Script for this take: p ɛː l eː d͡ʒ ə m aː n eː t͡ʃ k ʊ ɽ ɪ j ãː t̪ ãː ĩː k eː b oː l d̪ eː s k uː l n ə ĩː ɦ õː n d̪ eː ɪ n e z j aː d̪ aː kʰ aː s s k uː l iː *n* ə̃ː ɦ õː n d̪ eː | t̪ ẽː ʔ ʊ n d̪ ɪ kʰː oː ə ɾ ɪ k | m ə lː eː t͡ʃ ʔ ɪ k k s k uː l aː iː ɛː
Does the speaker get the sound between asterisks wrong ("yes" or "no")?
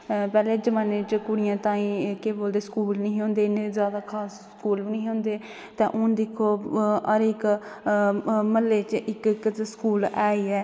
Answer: no